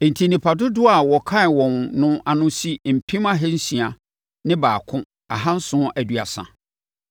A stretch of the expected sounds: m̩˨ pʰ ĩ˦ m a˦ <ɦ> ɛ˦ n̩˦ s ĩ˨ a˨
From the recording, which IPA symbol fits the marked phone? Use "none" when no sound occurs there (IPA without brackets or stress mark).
ɦ